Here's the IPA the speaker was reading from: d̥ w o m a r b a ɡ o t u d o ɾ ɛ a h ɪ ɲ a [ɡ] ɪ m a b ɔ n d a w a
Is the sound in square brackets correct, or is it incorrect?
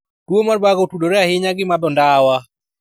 correct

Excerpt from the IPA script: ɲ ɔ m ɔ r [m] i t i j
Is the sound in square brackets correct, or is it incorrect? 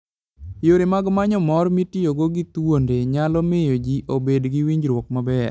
correct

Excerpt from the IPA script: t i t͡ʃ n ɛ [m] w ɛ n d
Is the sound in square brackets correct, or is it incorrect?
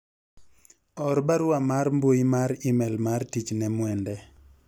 correct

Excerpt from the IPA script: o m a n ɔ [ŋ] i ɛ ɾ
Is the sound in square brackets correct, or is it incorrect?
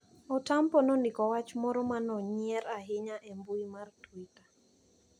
incorrect: ɲ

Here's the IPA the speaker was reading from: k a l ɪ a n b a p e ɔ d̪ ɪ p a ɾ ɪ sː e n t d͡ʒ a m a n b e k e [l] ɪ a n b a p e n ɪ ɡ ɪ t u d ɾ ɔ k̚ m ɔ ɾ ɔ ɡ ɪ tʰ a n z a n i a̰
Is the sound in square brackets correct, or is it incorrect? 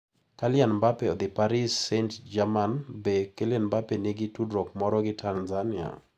correct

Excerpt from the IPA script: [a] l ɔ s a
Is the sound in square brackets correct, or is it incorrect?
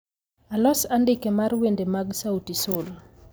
correct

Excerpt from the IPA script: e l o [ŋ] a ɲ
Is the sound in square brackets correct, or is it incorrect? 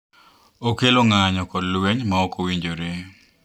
correct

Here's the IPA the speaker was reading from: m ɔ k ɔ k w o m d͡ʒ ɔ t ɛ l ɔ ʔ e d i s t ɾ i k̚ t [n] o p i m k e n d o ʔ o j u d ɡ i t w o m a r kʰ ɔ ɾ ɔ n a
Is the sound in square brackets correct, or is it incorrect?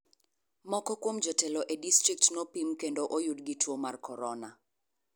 correct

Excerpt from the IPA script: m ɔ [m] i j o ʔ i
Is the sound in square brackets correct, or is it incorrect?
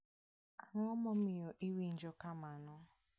correct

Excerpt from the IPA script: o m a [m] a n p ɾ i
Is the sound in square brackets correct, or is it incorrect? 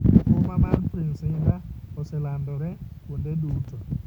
correct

